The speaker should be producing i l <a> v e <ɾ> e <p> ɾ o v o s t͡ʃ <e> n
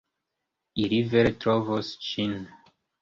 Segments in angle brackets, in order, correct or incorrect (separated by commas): incorrect, correct, incorrect, incorrect